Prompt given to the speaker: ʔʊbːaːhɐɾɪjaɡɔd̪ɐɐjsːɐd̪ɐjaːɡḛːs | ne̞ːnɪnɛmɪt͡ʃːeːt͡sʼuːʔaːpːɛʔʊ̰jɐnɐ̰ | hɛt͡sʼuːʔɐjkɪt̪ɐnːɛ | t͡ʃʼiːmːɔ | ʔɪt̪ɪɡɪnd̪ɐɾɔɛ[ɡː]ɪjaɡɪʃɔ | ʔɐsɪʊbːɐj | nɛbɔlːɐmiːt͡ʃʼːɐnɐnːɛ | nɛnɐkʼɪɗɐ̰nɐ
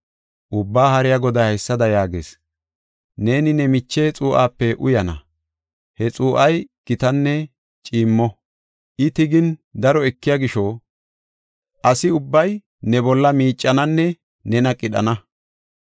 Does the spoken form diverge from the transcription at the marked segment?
yes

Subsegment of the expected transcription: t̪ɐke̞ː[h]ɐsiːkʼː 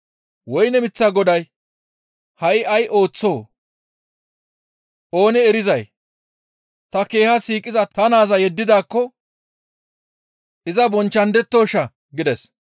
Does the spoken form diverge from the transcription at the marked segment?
no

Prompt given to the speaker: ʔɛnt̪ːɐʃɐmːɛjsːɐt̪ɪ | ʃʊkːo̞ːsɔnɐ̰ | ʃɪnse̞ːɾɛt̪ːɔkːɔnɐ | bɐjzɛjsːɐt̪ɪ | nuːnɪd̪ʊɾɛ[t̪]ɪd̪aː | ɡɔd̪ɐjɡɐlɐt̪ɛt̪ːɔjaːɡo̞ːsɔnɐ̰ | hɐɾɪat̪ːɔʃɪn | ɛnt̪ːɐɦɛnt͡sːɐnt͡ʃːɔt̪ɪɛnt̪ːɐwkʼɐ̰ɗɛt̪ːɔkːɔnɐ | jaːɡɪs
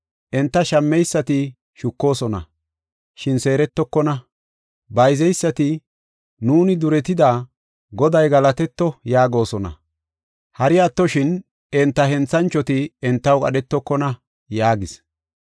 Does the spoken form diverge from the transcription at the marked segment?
no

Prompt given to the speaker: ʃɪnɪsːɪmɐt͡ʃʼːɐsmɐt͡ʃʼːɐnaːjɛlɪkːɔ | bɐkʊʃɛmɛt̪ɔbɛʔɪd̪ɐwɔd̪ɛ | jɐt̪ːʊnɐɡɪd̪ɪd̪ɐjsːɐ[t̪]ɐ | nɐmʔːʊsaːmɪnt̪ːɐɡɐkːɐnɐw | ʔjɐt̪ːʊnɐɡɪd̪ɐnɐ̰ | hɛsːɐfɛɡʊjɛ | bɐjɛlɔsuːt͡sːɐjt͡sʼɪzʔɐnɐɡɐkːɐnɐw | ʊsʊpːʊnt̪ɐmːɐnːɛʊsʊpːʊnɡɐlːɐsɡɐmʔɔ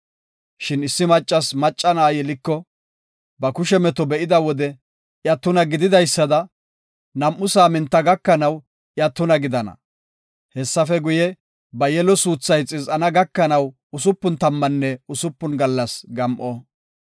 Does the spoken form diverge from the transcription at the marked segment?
yes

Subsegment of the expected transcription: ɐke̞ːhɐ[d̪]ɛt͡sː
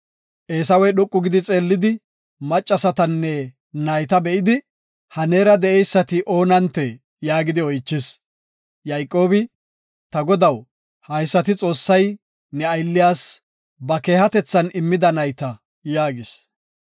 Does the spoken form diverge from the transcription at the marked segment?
yes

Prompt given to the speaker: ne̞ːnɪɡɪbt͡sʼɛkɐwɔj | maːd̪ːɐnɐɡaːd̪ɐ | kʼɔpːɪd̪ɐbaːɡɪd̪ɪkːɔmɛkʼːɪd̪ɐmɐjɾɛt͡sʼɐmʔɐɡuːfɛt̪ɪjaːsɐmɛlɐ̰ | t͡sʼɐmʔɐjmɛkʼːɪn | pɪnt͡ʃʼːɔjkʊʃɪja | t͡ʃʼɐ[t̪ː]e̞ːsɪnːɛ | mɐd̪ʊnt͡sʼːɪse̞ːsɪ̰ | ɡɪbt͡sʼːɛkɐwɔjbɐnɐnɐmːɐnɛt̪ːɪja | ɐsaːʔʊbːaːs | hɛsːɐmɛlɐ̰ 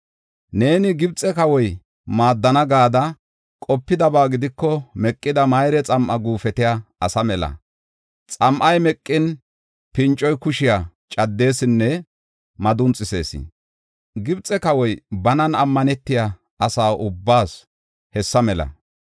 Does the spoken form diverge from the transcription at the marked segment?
yes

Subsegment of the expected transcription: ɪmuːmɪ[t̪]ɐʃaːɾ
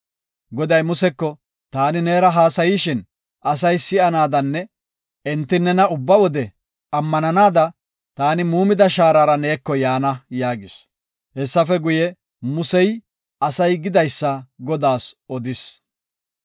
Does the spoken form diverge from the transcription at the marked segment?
yes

